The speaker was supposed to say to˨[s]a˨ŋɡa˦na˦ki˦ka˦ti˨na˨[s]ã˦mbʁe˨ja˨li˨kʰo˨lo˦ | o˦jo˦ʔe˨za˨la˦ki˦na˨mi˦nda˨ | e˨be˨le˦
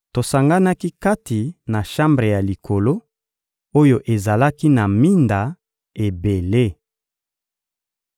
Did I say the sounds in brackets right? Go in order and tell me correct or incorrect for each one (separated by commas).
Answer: correct, incorrect